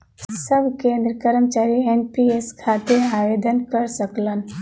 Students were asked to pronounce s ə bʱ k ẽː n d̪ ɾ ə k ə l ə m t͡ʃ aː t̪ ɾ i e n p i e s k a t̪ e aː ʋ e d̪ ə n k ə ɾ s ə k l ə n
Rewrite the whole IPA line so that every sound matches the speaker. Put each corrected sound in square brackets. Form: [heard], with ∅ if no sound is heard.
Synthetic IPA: s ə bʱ k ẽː n d̪ ɾ ə k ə [ɾ] ə m t͡ʃ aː [∅] ɾ i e n p i e s [kʰ] a t̪ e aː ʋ e d̪ ə n k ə ɾ s ə k l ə n

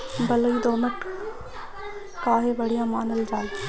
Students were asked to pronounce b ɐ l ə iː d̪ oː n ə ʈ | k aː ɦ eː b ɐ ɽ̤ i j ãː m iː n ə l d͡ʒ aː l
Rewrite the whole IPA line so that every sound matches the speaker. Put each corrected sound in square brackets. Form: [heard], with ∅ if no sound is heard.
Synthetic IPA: b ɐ l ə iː d̪ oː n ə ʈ | k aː ɦ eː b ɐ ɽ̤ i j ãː m [aː] n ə l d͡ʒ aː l

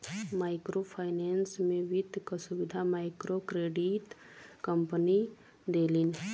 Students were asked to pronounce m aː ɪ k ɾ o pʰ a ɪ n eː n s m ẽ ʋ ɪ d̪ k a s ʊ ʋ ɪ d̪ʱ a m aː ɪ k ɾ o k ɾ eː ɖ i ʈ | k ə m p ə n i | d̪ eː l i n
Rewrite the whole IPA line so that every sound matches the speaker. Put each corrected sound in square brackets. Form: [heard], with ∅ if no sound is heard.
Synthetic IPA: m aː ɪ k ɾ o pʰ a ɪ n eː n s m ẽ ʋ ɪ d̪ k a s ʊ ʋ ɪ d̪ʱ a m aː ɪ k ɾ o k ɾ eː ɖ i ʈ | k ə m p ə n i | d̪ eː l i n

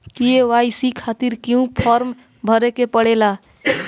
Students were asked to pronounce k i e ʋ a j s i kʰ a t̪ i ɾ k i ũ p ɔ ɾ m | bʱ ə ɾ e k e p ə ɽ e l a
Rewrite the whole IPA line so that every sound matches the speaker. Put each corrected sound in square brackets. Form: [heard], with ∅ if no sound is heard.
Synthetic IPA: k i e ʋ a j s i kʰ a t̪ i ɾ k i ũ [pʰ] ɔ ɾ m | bʱ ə ɾ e k e p ə ɽ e l a

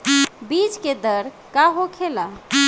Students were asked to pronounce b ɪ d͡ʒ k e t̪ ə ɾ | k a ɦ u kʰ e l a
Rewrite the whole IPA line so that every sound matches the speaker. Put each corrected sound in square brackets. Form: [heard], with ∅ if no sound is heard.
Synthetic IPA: b [i] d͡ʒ k e [d̪] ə ɾ | k a ɦ [o] kʰ e l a

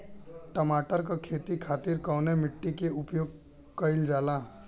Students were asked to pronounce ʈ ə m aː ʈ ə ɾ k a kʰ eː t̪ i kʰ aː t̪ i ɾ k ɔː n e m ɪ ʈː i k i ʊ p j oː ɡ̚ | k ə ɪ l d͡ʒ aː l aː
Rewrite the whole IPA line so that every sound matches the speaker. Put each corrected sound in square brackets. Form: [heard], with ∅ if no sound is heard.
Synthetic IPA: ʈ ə m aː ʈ ə ɾ k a kʰ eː t̪ i kʰ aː t̪ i ɾ k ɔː n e m ɪ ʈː i k [e] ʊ p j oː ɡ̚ | k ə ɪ l d͡ʒ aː l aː

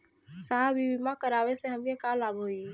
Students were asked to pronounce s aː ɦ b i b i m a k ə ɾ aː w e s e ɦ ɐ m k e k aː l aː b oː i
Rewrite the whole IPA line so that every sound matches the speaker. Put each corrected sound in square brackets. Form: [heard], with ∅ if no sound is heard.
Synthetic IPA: s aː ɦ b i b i m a k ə ɾ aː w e s e ɦ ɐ m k e k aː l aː b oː i

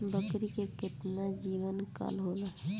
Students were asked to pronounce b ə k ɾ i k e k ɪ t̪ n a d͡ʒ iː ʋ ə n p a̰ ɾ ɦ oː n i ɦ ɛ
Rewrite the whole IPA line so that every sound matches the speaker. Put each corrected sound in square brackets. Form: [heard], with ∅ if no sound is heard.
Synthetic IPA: b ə k ɾ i k e k ɪ t̪ n a d͡ʒ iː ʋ ə n [k] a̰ [l] ɦ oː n [a] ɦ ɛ

